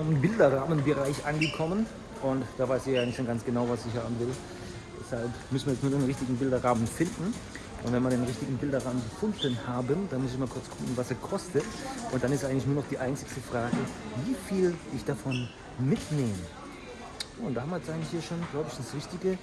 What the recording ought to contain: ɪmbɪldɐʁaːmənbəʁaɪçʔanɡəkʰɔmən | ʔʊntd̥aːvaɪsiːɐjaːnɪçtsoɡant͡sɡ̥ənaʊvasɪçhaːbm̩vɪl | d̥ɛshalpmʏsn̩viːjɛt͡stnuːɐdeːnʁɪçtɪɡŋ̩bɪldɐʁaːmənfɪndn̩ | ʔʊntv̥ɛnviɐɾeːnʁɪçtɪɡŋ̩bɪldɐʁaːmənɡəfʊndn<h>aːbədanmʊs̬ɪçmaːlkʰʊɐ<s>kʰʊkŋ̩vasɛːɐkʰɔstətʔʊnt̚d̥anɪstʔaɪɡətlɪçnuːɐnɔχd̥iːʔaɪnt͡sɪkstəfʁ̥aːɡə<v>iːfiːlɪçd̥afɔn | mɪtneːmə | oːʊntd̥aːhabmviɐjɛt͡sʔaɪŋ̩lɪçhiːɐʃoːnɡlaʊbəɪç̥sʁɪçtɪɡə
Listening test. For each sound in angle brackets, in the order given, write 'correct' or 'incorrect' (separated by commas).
correct, incorrect, correct